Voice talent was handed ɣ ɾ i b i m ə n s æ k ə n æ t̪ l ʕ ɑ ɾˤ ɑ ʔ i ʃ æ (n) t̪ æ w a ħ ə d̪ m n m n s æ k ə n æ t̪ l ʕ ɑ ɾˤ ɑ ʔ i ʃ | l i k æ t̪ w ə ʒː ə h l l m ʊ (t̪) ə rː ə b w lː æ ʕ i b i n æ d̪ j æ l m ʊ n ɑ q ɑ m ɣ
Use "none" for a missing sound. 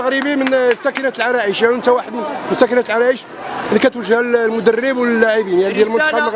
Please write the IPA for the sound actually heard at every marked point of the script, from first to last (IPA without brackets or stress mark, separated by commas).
n, d̪